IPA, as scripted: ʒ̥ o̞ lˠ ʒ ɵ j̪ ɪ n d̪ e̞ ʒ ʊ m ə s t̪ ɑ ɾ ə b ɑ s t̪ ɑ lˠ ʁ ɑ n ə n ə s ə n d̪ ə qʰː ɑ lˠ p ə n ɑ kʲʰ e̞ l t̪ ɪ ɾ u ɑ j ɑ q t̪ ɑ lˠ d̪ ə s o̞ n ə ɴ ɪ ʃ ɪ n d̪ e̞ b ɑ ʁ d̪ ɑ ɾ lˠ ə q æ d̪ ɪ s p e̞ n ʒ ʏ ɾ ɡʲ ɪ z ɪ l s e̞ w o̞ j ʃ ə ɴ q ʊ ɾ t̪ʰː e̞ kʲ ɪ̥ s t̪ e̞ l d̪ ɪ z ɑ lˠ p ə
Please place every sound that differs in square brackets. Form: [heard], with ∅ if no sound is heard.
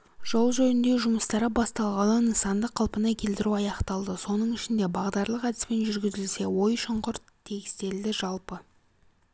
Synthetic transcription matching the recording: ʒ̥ o̞ lˠ ʒ ɵ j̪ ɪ n d̪ e̞ ʒ ʊ m ə s t̪ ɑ ɾ ə b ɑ s t̪ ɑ lˠ ʁ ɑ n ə n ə s [ɑ] n d̪ ə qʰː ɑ lˠ p ə n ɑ kʲʰ e̞ l t̪ ɪ ɾ u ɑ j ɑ q t̪ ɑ lˠ d̪ ə s o̞ n ə ɴ ɪ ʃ ɪ n d̪ e̞ b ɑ ʁ d̪ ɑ ɾ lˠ ə q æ d̪ ɪ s p e̞ n ʒ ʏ ɾ ɡʲ ɪ z ɪ l s e̞ w o̞ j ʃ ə ɴ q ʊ ɾ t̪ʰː e̞ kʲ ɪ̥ s t̪ e̞ l d̪ ɪ [ʒ] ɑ lˠ p ə